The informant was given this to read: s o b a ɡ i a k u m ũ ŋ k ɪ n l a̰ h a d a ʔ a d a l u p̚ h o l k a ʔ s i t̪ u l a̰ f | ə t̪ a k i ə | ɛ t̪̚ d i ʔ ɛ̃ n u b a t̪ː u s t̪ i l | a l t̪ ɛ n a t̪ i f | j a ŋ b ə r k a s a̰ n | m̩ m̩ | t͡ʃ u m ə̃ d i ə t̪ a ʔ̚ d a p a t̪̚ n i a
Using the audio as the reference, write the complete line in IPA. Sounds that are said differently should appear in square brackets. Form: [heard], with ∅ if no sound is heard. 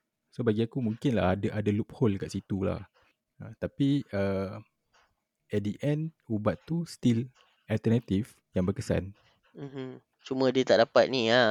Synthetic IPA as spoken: s o b a ɡ i a k u m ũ ŋ k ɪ n l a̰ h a d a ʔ a d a l u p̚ h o l k a ʔ s i t̪ u l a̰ [h] | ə t̪ a [p] i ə | ɛ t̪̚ d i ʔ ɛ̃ n u b a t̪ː u s t̪ i l | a l t̪ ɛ n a t̪ i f | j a ŋ b ə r k [ə] s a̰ n | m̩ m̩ | t͡ʃ u m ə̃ d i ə t̪ a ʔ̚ d a p a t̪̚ n i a